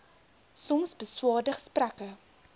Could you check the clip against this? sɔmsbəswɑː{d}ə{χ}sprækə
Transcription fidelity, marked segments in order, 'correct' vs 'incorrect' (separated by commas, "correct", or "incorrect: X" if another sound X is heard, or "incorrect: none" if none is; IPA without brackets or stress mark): correct, correct